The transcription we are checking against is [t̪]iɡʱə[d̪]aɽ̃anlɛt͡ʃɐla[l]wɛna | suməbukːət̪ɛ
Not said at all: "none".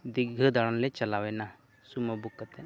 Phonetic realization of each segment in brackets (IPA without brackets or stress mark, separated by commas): d̪, d̪, none